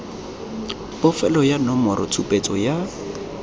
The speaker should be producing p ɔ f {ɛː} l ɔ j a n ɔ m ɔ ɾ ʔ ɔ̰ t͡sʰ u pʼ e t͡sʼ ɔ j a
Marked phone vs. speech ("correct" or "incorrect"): incorrect